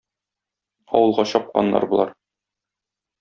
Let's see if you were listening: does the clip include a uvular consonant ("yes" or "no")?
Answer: yes